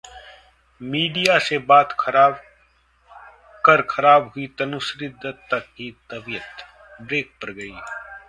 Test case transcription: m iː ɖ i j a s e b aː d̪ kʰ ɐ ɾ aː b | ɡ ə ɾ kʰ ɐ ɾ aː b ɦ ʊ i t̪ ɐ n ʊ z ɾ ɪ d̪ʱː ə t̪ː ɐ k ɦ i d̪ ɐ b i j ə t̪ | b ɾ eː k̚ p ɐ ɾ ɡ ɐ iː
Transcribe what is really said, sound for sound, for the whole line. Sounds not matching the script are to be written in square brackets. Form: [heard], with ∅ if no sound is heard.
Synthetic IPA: m iː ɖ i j a s e b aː [t̪] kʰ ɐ ɾ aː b | [k] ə ɾ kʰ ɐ ɾ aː b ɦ ʊ i t̪ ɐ n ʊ [s] ɾ ɪ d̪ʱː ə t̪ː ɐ k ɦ i [t̪] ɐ b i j ə t̪ | b ɾ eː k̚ p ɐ ɾ ɡ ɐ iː